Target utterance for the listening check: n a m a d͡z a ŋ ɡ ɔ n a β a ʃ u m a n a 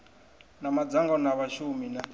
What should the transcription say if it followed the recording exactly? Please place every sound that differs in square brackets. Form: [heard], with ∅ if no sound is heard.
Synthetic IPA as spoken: n a m a d͡z a ŋ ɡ ɔ n a β a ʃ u m [i] n a